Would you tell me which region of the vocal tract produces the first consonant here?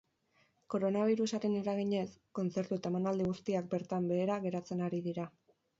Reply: velum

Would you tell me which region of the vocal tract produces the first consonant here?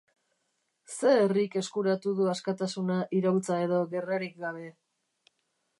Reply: tongue tip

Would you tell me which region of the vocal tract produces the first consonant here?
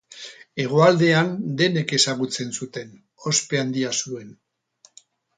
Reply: velum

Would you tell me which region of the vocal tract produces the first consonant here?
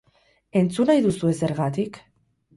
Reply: tongue tip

